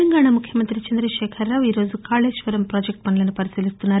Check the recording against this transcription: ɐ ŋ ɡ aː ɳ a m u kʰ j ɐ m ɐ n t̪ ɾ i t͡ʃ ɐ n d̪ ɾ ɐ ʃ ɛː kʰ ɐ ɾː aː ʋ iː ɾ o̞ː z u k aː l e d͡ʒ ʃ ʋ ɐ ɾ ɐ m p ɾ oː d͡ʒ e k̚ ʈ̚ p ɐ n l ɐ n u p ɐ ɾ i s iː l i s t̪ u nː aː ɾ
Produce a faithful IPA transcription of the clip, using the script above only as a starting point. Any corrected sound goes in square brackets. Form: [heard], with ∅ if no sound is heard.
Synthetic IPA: ɐ ŋ ɡ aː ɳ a m u kʰ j ɐ m ɐ n t̪ ɾ i t͡ʃ ɐ n d̪ ɾ ɐ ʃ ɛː kʰ ɐ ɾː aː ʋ iː ɾ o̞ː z u k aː l e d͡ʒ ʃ ʋ ɐ ɾ ɐ m p ɾ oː d͡ʒ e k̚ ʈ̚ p ɐ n l ɐ n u p ɐ ɾ i s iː l i s t̪ u nː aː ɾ